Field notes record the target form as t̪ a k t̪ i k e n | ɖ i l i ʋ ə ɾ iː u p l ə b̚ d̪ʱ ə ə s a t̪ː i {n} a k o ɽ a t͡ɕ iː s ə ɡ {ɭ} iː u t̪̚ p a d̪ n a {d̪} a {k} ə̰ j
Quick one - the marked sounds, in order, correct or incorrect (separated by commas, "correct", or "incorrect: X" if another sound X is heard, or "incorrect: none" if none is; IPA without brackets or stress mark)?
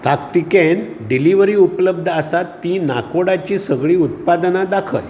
correct, correct, correct, incorrect: kʰ